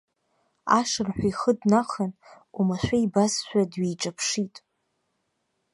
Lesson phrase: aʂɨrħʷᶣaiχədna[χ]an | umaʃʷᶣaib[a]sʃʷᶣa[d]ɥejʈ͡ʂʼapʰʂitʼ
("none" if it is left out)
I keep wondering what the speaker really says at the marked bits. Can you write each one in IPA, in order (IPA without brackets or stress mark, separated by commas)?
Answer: χ, a, d